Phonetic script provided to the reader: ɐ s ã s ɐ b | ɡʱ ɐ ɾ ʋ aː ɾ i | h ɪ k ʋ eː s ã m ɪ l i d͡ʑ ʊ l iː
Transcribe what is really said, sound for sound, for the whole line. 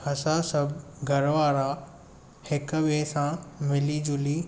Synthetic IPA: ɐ s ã s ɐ b | ɡʱ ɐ ɾ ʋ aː ɾ a | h ɪ k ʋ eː s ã m ɪ l i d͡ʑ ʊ l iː